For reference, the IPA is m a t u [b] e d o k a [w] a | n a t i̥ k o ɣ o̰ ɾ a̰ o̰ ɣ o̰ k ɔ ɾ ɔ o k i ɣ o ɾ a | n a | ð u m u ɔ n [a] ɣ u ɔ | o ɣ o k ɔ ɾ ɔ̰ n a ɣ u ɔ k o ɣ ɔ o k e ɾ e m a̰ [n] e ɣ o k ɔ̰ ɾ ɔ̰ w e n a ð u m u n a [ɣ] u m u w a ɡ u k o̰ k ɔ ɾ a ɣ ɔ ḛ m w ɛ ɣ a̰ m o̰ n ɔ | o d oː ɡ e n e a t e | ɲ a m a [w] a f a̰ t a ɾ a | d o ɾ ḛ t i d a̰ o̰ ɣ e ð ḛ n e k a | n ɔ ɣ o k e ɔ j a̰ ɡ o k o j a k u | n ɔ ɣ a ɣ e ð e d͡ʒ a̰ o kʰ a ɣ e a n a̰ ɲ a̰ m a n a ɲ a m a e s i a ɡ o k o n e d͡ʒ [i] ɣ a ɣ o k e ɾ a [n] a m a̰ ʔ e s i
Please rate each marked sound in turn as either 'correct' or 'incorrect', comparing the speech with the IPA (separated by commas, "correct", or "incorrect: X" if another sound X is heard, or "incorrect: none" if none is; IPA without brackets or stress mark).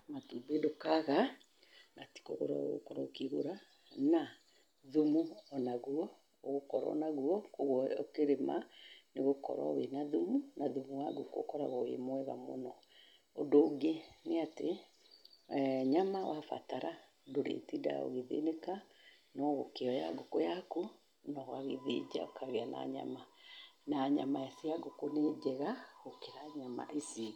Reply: correct, incorrect: ɣ, correct, correct, incorrect: ð, correct, incorrect: ɛ, incorrect: ɲ